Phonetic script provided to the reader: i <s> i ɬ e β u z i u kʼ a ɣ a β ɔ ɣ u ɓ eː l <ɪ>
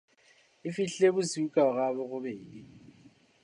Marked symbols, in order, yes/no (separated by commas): no, no